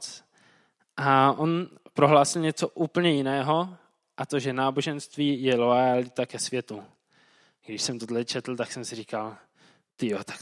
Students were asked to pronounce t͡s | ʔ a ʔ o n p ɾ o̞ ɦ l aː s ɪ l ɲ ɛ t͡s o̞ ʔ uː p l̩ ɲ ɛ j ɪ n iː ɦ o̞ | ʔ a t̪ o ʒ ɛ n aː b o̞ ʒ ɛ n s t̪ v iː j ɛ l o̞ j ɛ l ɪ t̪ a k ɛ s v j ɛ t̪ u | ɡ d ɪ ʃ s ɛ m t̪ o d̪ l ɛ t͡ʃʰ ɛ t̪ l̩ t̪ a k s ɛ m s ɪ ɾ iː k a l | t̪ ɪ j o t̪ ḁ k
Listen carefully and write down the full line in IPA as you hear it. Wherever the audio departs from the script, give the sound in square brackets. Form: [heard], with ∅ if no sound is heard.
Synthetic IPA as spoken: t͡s | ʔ a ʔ o n p ɾ o̞ ɦ l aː s ɪ l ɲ ɛ t͡s o̞ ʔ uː p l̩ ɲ ɛ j ɪ n [ɛː] ɦ o̞ | ʔ a t̪ o ʒ ɛ n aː b o̞ ʒ ɛ n s t̪ v iː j ɛ l o̞ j [a] l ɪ t̪ a k ɛ s v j ɛ t̪ u | ɡ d ɪ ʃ s ɛ m t̪ o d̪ l ɛ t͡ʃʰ ɛ t̪ l̩ t̪ a k s ɛ m s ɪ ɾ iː k a l | t̪ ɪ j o t̪ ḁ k